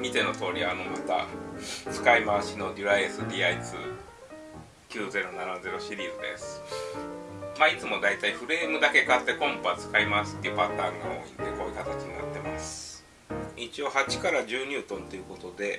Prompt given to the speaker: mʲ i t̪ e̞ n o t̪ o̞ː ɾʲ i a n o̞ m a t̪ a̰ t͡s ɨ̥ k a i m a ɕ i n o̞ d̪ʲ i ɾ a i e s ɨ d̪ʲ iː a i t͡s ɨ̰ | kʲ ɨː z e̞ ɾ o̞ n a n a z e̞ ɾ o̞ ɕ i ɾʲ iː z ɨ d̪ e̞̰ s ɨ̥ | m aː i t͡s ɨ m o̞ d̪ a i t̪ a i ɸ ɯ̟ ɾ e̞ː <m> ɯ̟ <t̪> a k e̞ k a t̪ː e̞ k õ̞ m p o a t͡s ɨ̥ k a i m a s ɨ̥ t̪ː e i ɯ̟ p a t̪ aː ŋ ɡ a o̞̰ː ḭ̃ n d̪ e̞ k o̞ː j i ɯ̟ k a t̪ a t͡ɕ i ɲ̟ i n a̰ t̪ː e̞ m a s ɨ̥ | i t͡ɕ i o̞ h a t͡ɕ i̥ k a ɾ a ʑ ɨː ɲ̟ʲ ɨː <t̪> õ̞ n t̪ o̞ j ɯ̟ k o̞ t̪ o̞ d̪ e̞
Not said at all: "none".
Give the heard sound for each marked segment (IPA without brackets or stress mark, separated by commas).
m, d̪, t̪